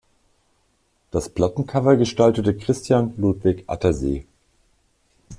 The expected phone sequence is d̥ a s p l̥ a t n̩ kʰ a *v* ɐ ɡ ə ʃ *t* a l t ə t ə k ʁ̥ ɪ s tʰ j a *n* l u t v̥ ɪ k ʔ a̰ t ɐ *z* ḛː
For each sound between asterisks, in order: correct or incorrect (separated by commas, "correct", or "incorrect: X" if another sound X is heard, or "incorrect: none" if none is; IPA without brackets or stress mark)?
correct, correct, correct, correct